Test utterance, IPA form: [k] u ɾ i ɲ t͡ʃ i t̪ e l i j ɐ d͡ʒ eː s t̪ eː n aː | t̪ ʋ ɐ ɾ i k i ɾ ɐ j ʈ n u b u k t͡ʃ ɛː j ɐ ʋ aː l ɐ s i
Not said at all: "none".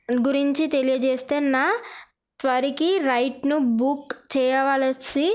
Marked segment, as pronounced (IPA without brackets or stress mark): ɡ